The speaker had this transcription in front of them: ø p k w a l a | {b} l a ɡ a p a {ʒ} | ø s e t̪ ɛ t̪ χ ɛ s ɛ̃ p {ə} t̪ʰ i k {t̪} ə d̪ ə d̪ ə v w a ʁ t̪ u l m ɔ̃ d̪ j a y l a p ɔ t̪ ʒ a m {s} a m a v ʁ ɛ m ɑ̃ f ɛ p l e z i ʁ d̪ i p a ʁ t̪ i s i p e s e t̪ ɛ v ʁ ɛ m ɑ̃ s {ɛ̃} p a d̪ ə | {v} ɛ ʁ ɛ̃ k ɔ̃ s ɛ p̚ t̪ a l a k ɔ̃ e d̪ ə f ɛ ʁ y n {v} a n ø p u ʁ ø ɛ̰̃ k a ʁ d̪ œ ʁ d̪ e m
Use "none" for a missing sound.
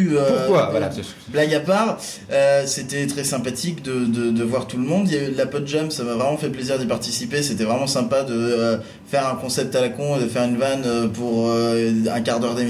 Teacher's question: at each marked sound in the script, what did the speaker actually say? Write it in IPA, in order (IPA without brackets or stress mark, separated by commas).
b, ʁ, a, d̪, s, ɛ̃, f, v